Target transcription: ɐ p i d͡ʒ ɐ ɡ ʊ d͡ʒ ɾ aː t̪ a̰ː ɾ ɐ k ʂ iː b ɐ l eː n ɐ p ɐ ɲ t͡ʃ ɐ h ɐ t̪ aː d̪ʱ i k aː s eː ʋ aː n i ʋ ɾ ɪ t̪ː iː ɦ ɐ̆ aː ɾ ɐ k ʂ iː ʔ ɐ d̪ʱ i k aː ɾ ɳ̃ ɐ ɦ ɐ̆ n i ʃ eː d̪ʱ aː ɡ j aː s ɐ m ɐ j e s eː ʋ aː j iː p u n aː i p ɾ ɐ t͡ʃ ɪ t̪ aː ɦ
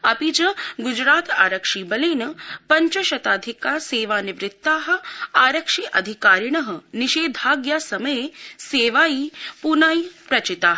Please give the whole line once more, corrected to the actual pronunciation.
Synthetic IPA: ɐ p i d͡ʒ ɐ ɡ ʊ d͡ʒ ɾ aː t̪ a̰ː ɾ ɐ k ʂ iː b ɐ l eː n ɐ p ɐ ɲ t͡ʃ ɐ ʃ ɐ t̪ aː d̪ʱ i k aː s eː ʋ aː n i ʋ ɾ ɪ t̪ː aː ɦ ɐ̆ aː ɾ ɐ k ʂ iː ʔ ɐ d̪ʱ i k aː ɾ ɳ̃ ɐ ɦ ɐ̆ n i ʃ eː d̪ʱ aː ɡ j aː s ɐ m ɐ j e s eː ʋ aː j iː p u n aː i p ɾ ɐ t͡ʃ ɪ t̪ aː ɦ

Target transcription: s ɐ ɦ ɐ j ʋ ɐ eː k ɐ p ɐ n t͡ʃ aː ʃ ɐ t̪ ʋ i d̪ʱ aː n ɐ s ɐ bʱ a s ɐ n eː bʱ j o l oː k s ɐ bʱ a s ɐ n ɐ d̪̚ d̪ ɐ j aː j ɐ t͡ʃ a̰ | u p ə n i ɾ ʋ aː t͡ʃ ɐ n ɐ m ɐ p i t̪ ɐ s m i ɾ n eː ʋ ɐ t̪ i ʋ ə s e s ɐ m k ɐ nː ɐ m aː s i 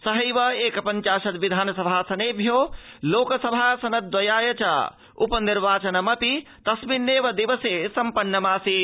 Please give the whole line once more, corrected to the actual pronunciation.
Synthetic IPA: s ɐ ɦ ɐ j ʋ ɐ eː k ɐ p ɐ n t͡ʃ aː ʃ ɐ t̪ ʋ i d̪ʱ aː n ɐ s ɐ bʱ a s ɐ n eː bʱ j o l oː k s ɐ bʱ a s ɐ n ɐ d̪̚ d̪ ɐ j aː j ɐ t͡ʃ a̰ | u p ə n i ɾ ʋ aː t͡ʃ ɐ n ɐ m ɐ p i t̪ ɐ s m i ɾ n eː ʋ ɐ d̪ i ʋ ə s e s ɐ m p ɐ nː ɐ m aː s i

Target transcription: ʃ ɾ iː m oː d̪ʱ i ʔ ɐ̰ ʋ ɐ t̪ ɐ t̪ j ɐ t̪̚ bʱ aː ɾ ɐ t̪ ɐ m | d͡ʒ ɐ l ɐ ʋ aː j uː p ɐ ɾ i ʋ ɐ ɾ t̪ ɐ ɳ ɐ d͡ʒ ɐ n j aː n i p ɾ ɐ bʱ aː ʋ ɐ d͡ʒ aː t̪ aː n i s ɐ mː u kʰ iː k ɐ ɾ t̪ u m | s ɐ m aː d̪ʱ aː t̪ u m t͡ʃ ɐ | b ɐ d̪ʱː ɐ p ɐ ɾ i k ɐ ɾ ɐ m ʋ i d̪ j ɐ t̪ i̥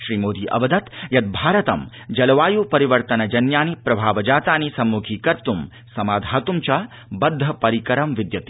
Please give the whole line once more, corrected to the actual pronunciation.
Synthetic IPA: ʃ ɾ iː m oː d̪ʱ i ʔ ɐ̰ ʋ ɐ d̪ ɐ t̪ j ɐ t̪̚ bʱ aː ɾ ɐ t̪ ɐ m | d͡ʒ ɐ l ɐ ʋ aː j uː p ɐ ɾ i ʋ ɐ ɾ t̪ ɐ n ɐ d͡ʒ ɐ n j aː n i p ɾ ɐ bʱ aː ʋ ɐ d͡ʒ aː t̪ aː n i s ɐ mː u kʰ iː k ɐ ɾ t̪ u m | s ɐ m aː d̪ʱ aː t̪ u m t͡ʃ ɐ | b ɐ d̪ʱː ɐ p ɐ ɾ i k ɐ ɾ ɐ m ʋ i d̪ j ɐ t̪ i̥

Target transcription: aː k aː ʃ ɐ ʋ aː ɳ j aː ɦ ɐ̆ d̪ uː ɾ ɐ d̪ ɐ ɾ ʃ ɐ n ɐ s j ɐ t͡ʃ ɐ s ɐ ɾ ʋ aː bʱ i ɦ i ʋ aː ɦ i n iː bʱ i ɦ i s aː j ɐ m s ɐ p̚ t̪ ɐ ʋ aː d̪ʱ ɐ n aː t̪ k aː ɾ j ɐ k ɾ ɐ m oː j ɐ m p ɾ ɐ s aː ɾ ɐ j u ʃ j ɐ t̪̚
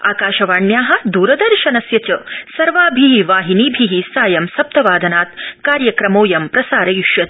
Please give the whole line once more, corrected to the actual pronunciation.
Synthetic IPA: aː k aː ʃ ɐ ʋ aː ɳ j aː ɦ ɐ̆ d̪ uː ɾ ɐ d̪ ɐ ɾ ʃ ɐ n ɐ s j ɐ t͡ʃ ɐ s ɐ ɾ ʋ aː bʱ i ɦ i ʋ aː ɦ i n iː bʱ i ɦ i s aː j ɐ m s ɐ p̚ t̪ ɐ ʋ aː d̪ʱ ɐ n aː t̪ k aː ɾ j ɐ k ɾ ɐ m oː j ɐ m p ɾ ɐ s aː ɾ ɐ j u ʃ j ɐ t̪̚

